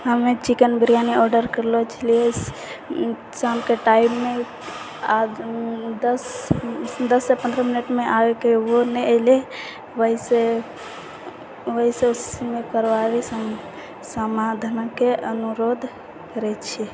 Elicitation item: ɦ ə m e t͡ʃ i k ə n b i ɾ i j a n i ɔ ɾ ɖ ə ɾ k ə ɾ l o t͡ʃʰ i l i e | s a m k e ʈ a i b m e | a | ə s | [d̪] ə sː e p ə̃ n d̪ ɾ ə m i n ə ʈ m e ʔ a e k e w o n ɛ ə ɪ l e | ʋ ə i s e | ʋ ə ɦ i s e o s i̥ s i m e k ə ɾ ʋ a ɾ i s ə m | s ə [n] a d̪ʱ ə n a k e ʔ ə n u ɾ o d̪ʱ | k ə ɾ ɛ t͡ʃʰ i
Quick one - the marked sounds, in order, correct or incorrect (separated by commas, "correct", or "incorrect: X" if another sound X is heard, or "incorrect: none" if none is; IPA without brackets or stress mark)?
correct, incorrect: m